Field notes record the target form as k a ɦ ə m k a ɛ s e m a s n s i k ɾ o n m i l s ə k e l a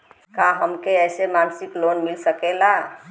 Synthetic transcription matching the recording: k a ɦ ə m k e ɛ s e m a n s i k l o n m i l s ə k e l a